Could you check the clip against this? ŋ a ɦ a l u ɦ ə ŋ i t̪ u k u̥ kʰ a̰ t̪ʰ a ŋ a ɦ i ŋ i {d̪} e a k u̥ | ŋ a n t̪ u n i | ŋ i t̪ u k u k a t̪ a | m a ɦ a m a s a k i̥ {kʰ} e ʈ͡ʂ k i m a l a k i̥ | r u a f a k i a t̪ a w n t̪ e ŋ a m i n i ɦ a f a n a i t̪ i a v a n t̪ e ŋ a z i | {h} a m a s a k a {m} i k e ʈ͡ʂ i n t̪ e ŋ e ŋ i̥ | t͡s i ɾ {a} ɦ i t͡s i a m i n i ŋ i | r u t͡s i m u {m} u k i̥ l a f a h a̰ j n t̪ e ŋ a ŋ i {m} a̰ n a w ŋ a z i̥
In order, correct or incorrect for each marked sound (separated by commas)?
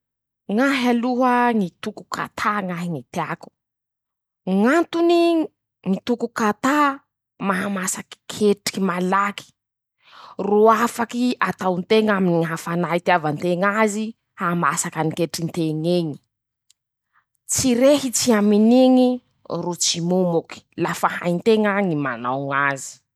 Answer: incorrect, correct, correct, incorrect, incorrect, correct, correct